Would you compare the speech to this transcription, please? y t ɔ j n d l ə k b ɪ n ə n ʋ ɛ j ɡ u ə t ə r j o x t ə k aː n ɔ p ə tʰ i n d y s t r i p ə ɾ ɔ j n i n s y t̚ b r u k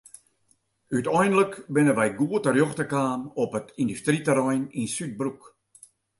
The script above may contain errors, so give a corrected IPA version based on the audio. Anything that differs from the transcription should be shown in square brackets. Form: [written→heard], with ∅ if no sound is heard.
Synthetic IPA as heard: y t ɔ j n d l ə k b ɪ n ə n ʋ ɛ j ɡ u ə t ə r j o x t ə k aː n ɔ p ə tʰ i n d y s t r i [p→t] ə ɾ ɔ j n i n s y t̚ b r u k